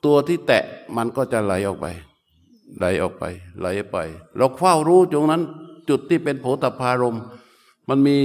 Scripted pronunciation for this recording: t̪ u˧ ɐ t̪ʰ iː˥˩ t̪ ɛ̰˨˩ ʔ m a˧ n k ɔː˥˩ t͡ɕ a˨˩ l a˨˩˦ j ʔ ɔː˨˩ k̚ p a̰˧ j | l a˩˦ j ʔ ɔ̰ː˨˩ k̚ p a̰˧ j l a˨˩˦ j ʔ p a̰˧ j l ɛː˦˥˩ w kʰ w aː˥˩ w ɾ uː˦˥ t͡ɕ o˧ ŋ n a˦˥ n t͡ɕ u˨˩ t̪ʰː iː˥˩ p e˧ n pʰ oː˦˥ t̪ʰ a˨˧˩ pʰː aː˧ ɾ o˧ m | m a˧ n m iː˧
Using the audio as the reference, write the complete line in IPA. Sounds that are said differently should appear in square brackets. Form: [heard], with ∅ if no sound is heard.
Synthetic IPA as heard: t̪ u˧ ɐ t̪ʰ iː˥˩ t̪ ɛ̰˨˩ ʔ m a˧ n k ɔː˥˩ t͡ɕ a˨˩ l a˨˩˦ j ʔ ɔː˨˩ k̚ p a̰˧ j | l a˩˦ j ʔ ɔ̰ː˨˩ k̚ p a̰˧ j l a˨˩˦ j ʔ p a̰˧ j l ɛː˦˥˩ w kʰ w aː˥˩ w ɾ uː˦˥ t͡ɕ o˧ ŋ n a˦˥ n t͡ɕ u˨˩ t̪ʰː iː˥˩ p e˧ n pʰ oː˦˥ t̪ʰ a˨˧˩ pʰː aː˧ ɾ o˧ m | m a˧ n m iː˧